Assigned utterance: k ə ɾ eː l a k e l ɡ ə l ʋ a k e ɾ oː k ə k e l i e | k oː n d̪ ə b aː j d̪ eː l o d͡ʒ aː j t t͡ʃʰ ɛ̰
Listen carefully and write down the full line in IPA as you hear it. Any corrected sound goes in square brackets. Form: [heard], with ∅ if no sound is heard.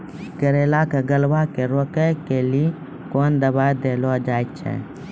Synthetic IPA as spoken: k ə ɾ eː l a k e [∅] ɡ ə l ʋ a k e ɾ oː k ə k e l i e | k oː n d̪ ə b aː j d̪ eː l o d͡ʒ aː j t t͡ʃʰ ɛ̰